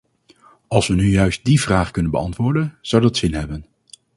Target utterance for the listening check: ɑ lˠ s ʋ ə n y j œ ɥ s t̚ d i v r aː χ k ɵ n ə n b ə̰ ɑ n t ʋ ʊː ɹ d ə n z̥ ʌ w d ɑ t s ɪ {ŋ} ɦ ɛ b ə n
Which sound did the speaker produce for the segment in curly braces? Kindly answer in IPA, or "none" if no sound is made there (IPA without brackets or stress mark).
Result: n